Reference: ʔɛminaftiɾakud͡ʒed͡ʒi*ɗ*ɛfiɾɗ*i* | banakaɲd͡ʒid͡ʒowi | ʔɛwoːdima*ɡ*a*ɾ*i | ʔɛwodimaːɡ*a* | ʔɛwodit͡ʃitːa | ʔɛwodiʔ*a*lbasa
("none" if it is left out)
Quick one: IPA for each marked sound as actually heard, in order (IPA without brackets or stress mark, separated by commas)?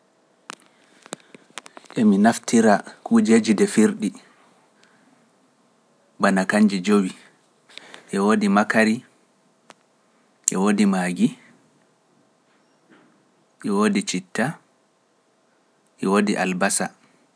d, i, k, ɾ, i, a